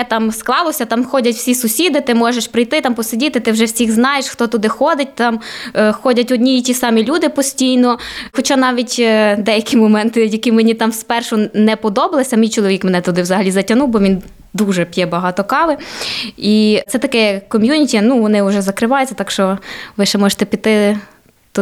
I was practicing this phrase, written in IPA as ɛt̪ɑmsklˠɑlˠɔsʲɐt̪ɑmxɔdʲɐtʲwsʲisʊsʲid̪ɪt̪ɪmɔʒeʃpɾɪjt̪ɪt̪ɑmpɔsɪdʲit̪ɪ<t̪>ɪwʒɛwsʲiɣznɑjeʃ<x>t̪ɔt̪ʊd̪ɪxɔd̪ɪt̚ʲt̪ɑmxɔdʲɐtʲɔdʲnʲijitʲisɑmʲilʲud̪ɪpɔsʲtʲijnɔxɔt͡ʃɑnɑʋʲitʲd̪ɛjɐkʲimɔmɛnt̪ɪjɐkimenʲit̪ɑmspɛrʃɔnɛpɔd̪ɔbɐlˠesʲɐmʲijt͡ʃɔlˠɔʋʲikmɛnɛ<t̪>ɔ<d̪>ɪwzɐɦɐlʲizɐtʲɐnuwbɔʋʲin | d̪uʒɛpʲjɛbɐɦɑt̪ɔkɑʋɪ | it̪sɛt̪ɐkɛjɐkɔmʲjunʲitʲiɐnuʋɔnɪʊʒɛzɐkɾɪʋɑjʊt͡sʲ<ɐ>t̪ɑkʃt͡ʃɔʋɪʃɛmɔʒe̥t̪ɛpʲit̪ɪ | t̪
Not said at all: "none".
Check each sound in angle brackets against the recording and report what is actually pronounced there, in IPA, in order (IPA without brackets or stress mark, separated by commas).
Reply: t̪, x, t̪, d̪, ɐ